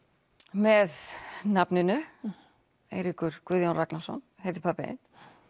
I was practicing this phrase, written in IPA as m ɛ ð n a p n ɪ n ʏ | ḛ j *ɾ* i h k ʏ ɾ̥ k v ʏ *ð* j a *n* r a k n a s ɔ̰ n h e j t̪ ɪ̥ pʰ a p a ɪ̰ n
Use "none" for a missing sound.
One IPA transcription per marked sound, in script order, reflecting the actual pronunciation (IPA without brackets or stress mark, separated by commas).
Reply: ɾ, ð, n